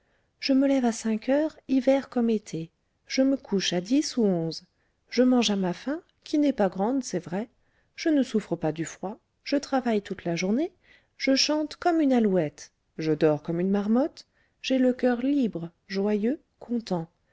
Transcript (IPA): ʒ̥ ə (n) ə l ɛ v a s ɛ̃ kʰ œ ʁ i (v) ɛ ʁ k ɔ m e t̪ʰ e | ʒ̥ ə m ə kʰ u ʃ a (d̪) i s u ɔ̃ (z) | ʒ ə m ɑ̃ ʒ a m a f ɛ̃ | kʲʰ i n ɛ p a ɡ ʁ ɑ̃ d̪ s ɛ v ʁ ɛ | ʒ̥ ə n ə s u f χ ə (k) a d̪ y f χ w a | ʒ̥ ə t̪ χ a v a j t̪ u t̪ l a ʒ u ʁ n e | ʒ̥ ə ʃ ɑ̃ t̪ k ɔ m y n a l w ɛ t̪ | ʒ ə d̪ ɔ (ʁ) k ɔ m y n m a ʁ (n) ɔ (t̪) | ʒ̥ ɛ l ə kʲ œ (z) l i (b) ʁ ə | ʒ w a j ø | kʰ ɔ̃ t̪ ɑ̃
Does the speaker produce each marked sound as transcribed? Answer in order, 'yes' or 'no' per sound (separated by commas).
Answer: no, yes, yes, yes, no, yes, no, yes, no, yes